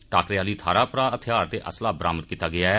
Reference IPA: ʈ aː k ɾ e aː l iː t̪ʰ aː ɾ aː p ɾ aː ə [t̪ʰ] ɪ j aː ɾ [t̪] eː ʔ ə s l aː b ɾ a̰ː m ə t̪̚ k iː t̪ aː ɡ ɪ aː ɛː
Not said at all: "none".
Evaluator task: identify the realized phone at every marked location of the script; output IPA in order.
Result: t̪ʰ, t̪

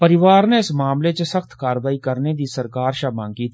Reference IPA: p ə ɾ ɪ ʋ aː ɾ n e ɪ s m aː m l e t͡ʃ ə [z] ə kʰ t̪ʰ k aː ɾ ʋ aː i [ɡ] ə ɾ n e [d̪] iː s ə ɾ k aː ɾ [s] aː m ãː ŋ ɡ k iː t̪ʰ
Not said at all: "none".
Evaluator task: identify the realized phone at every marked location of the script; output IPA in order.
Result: s, k, d̪, ʃ

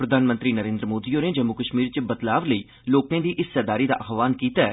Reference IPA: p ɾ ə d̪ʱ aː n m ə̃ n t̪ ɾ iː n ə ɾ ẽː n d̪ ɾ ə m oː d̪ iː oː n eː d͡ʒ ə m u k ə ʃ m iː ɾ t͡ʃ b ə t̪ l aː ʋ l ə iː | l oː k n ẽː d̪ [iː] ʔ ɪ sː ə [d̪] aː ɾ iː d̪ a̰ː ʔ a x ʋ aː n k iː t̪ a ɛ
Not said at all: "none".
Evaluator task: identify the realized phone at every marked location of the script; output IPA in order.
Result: iː, d̪

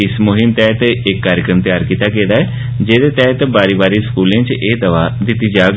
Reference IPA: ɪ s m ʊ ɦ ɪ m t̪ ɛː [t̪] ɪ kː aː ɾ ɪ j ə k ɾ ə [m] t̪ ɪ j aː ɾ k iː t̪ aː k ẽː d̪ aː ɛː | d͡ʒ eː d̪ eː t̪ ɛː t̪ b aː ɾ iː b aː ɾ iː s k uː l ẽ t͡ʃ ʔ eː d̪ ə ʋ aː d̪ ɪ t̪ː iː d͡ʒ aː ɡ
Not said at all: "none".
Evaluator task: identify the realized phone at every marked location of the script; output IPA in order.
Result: t̪, m

